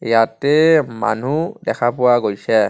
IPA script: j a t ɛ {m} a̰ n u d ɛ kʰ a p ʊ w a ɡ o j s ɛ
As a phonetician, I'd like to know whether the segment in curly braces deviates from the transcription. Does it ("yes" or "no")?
no